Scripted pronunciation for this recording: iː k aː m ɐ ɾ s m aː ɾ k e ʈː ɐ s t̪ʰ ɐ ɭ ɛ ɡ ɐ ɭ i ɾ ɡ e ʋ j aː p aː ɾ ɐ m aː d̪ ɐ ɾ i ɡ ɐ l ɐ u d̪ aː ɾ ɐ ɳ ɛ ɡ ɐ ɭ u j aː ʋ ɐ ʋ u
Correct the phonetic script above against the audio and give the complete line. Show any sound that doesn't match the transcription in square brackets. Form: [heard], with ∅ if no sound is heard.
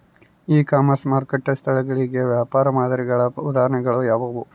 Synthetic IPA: iː k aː m ɐ ɾ s m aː ɾ k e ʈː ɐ s t̪ʰ ɐ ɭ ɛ ɡ ɐ ɭ i [∅] ɡ e ʋ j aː p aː ɾ ɐ m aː d̪ ɐ ɾ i ɡ ɐ [ɭ] ɐ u d̪ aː ɾ ɐ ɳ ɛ ɡ ɐ ɭ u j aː ʋ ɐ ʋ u